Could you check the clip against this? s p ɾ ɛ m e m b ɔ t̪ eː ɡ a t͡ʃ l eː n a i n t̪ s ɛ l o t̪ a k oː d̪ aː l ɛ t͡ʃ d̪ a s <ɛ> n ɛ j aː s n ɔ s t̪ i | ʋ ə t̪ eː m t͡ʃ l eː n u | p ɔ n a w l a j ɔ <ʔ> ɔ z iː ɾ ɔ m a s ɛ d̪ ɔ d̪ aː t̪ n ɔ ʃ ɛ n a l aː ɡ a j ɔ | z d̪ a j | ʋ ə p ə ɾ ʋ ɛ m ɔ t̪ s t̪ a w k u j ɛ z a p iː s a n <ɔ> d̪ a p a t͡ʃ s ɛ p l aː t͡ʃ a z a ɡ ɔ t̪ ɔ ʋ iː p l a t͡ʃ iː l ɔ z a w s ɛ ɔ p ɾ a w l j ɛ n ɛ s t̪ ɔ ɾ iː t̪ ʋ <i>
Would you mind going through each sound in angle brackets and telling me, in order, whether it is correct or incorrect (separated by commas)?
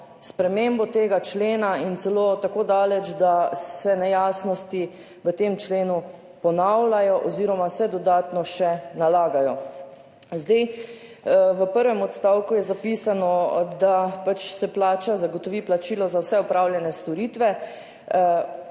correct, correct, correct, incorrect